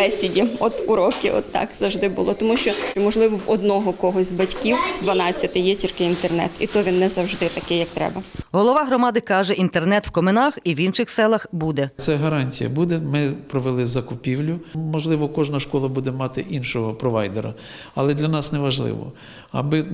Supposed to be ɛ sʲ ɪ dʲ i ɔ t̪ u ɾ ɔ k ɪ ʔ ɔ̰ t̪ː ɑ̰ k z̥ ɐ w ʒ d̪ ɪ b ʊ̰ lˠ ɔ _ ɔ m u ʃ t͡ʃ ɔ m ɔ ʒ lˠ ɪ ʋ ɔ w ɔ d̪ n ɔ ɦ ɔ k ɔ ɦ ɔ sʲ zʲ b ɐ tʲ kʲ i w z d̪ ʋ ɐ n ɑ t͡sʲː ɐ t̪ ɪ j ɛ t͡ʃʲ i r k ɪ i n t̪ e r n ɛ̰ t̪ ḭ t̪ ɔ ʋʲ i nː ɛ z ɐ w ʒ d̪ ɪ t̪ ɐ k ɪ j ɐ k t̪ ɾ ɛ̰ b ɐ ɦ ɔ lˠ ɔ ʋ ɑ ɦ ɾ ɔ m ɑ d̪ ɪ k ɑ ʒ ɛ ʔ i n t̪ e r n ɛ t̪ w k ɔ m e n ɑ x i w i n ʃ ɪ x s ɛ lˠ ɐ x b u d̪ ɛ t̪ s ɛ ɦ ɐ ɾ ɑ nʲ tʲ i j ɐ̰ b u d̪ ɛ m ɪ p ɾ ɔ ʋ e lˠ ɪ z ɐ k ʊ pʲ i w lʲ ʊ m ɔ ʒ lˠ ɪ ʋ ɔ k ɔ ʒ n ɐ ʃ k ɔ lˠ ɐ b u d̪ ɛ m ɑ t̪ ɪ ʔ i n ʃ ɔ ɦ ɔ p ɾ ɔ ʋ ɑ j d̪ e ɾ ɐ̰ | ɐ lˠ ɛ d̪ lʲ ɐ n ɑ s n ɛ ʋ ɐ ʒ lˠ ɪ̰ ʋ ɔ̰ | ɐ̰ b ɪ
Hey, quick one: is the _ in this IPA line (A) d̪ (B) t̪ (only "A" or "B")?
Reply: B